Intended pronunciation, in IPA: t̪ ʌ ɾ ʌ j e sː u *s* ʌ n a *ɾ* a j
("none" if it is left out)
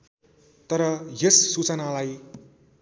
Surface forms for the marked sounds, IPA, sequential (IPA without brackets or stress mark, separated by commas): t͡s, l